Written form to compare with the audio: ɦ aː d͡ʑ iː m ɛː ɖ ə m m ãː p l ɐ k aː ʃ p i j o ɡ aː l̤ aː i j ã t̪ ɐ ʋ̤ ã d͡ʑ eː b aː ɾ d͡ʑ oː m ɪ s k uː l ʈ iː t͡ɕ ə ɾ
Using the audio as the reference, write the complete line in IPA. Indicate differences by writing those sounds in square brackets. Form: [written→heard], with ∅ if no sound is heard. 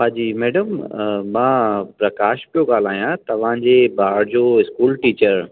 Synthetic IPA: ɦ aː d͡ʑ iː m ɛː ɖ ə m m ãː p [l→ɾ] ɐ k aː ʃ p i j o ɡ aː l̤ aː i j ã t̪ ɐ ʋ̤ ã d͡ʑ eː b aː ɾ d͡ʑ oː [m→∅] ɪ s k uː l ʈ iː t͡ɕ ə ɾ